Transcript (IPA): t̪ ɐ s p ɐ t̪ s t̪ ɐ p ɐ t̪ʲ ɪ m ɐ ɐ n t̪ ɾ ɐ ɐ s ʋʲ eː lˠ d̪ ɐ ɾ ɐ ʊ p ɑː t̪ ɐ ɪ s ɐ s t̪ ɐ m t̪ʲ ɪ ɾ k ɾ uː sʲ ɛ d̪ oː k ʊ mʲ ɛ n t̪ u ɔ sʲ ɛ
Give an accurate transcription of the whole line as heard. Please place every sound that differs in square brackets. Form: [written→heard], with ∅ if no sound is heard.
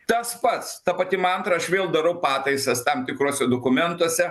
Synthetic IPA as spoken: t̪ ɐ s p ɐ t̪ s t̪ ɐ p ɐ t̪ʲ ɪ m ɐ ɐ n t̪ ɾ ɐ ɐ [s→ʃ] ʋʲ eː lˠ d̪ ɐ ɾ ɐ ʊ p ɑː t̪ ɐ ɪ s ɐ s t̪ ɐ m t̪ʲ ɪ [ɾ→∅] k ɾ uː sʲ ɛ d̪ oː k ʊ mʲ ɛ n t̪ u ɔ sʲ ɛ